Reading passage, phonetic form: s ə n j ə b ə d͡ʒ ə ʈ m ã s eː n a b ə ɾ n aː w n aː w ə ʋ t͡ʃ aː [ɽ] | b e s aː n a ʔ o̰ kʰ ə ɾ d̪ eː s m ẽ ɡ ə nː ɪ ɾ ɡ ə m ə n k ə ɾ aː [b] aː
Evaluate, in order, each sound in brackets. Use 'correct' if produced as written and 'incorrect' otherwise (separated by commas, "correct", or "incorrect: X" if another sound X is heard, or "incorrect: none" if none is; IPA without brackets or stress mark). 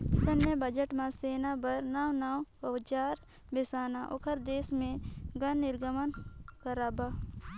incorrect: ɾ, correct